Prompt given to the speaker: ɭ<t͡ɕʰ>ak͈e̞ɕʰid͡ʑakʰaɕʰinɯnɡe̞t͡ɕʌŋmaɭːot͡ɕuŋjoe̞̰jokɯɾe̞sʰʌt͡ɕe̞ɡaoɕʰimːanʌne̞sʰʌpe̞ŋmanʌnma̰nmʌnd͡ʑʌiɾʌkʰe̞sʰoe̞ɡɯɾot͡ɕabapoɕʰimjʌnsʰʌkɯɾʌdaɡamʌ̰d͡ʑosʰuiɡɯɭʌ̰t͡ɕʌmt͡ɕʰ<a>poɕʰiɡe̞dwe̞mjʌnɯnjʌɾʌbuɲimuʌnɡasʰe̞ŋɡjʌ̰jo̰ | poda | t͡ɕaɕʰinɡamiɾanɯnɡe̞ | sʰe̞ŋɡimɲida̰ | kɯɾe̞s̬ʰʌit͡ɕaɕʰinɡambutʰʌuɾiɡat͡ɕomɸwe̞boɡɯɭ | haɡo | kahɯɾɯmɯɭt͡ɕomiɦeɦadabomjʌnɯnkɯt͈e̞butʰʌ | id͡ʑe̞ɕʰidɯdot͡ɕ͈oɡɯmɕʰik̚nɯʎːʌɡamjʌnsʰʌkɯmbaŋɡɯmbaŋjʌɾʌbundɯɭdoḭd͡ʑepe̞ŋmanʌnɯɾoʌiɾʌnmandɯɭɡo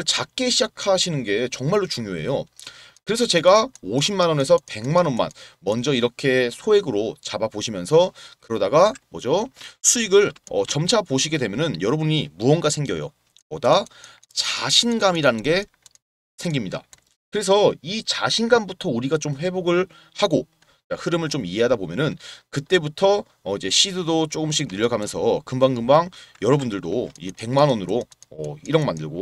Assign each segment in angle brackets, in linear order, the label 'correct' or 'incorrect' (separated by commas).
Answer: incorrect, correct